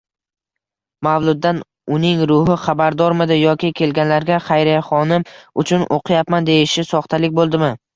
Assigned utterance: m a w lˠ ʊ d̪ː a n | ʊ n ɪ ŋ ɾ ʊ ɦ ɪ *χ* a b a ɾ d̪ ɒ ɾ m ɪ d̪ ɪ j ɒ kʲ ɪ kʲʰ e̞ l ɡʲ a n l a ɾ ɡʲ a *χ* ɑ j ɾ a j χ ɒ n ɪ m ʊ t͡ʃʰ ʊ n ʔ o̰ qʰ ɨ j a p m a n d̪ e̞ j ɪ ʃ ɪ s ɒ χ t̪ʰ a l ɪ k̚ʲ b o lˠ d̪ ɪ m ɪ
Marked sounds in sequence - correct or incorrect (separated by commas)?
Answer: correct, correct